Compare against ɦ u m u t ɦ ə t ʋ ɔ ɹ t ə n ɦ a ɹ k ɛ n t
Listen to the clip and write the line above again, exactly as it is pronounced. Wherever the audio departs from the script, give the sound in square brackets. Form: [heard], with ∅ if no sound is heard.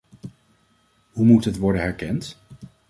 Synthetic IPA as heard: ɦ u m u t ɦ ə t ʋ ɔ ɹ [d] ə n ɦ [ɛ] ɹ k ɛ n t